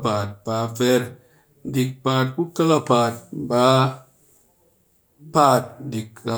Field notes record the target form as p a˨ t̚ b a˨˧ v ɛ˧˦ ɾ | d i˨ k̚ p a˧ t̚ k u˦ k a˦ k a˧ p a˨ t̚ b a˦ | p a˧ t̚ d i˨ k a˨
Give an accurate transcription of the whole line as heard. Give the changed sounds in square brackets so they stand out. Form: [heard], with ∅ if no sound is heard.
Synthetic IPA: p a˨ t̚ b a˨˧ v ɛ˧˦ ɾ | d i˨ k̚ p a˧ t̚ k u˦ k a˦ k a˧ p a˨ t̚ b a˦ | p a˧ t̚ d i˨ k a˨